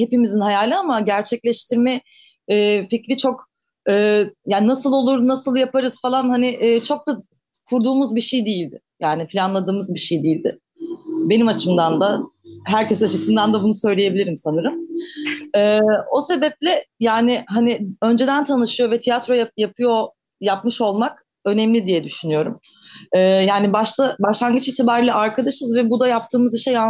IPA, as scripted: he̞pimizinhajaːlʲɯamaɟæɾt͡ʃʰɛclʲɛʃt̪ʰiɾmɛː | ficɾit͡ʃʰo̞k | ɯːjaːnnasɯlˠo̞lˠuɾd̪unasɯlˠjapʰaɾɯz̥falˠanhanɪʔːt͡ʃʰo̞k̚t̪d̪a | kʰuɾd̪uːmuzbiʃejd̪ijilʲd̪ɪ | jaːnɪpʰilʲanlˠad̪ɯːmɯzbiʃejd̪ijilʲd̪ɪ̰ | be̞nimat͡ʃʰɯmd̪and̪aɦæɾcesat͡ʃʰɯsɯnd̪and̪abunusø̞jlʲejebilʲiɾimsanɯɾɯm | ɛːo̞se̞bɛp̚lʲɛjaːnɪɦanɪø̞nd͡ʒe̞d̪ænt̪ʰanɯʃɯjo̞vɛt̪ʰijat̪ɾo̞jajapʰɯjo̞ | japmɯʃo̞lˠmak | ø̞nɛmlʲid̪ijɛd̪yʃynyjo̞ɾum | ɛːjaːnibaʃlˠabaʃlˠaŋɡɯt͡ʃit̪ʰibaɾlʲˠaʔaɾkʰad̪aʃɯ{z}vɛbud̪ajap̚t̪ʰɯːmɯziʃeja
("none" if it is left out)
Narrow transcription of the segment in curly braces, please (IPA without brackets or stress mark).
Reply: z